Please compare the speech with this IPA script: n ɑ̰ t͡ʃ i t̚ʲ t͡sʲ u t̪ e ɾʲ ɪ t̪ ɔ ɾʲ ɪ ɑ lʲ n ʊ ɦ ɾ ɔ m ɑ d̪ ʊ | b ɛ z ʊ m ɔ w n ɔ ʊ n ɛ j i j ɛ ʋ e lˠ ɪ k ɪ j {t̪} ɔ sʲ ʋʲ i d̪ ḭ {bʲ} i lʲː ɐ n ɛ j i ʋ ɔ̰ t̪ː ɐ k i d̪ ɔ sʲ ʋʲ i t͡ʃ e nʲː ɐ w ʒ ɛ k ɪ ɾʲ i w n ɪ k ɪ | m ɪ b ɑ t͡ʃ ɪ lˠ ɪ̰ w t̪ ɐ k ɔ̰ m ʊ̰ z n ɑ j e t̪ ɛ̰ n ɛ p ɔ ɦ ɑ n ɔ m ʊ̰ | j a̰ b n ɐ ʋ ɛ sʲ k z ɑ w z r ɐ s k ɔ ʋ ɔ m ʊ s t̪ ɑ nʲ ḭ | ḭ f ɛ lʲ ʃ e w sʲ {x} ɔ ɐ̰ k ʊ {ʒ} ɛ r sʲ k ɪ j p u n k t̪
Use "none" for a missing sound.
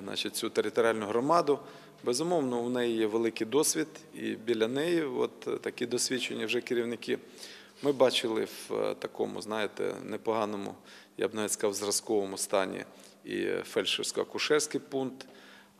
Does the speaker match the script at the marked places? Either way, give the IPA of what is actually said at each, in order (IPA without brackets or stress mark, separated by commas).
d̪, bʲ, k, ʃ